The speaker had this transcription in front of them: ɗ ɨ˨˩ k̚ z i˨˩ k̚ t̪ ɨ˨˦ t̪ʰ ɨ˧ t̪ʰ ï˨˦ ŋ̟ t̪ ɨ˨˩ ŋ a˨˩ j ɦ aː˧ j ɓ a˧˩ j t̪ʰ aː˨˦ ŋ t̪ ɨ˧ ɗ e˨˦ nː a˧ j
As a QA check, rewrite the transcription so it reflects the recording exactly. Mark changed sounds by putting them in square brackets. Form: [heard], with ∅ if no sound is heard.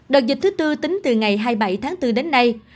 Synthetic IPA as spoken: ɗ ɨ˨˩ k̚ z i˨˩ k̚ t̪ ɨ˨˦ [t̪] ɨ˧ [t̪] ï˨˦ ŋ̟ t̪ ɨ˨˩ ŋ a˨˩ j ɦ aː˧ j ɓ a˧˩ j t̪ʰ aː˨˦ ŋ t̪ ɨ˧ ɗ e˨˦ nː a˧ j

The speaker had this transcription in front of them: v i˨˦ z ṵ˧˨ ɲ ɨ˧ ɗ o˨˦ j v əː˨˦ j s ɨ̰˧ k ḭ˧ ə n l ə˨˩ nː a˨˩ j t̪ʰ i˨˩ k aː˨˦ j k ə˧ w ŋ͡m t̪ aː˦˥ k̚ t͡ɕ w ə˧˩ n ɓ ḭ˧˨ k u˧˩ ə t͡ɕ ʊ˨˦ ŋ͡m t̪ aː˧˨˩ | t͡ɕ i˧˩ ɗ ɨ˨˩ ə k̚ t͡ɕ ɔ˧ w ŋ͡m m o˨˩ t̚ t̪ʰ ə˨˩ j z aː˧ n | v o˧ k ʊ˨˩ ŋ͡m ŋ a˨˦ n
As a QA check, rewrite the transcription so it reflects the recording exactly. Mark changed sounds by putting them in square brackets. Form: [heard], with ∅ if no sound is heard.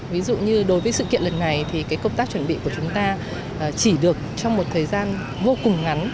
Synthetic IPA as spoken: v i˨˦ z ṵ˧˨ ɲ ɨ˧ ɗ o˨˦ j v əː˨˦ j s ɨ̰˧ k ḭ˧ ə n l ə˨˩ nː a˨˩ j t̪ʰ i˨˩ k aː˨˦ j k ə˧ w ŋ͡m t̪ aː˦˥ k̚ t͡ɕ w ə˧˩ n ɓ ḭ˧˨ k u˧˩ ə t͡ɕ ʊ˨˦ ŋ͡m t̪ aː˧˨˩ | t͡ɕ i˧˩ ɗ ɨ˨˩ ə k̚ t͡ɕ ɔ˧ w ŋ͡m m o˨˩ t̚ t̪ʰ [əː˨˩] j z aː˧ n | v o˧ k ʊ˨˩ ŋ͡m ŋ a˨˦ n

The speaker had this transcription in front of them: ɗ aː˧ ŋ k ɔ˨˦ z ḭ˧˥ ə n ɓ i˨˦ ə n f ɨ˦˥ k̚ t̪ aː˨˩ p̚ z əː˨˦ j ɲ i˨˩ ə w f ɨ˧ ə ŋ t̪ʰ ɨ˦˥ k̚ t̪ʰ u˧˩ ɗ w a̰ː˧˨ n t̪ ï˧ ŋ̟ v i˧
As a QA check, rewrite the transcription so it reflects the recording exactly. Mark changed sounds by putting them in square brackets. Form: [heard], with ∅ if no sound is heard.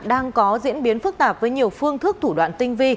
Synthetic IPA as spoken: ɗ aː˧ ŋ k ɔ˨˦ z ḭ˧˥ ə n ɓ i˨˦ ə n f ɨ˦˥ k̚ t̪ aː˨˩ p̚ [v] əː˨˦ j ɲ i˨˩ ə w f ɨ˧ ə ŋ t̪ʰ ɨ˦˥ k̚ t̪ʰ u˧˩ ɗ w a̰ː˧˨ n t̪ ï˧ ŋ̟ v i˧

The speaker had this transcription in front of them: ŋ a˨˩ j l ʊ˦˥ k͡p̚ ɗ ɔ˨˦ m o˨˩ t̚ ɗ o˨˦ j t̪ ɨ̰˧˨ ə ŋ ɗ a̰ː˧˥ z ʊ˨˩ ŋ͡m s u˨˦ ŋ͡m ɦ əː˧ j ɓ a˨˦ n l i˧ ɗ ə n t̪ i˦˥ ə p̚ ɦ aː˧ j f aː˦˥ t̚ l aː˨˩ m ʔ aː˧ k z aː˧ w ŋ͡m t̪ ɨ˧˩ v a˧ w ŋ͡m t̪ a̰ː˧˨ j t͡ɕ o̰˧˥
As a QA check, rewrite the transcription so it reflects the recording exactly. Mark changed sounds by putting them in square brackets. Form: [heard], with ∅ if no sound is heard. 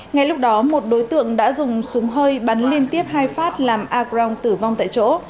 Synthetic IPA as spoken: ŋ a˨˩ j l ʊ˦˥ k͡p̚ ɗ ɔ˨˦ m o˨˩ t̚ ɗ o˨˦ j t̪ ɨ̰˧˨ ə ŋ ɗ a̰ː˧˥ z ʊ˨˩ ŋ͡m s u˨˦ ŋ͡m ɦ əː˧ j ɓ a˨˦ n l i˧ [∅] ə n t̪ i˦˥ ə p̚ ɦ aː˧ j f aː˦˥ t̚ l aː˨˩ m ʔ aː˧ k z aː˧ w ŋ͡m t̪ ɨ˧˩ v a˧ w ŋ͡m t̪ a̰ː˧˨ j t͡ɕ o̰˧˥

